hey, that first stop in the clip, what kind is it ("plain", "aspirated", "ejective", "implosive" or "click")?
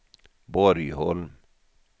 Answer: plain